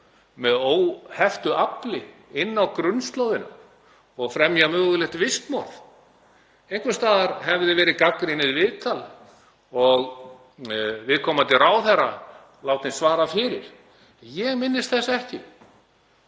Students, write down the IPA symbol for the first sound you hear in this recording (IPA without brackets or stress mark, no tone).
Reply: m